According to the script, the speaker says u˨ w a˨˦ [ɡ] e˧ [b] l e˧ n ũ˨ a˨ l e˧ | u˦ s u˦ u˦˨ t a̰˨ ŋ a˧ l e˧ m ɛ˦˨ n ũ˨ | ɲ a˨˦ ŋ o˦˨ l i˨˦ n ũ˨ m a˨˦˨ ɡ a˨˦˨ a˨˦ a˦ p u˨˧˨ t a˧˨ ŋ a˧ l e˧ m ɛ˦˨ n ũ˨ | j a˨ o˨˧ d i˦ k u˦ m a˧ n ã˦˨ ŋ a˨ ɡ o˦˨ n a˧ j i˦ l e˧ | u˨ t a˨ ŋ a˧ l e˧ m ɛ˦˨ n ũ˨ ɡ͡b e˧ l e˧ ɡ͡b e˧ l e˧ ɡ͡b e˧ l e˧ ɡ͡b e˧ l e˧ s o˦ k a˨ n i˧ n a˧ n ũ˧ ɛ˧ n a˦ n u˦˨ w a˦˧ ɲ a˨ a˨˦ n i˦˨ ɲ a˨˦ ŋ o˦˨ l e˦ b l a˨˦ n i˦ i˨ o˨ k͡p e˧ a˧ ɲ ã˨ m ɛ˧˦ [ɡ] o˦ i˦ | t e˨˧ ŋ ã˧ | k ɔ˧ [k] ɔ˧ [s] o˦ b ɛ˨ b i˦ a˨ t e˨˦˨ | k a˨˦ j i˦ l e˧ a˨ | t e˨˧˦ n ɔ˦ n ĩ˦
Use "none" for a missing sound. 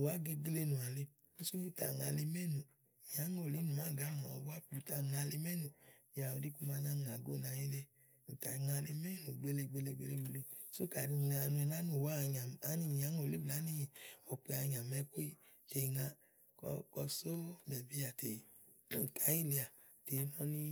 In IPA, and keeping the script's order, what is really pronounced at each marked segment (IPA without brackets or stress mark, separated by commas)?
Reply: ɡ, ɡ, k, k, s